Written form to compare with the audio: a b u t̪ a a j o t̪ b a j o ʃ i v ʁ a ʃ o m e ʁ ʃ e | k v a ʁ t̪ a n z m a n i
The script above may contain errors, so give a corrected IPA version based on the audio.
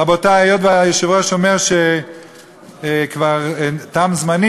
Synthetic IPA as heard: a b o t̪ a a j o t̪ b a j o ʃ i v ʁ a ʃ o m e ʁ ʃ e | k v a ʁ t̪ a m z m a n i